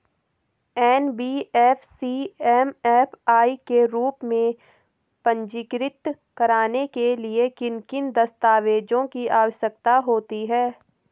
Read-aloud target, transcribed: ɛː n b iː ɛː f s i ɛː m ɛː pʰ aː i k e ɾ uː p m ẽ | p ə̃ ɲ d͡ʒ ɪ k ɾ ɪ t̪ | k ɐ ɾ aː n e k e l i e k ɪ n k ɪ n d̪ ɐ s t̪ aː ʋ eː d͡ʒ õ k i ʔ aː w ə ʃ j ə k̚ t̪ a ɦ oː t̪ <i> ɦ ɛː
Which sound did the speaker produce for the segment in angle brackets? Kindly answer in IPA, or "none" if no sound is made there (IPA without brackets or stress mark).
i